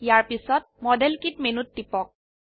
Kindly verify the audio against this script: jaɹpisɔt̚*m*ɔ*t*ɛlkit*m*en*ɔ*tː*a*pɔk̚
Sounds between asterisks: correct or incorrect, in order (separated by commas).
correct, incorrect, correct, incorrect, incorrect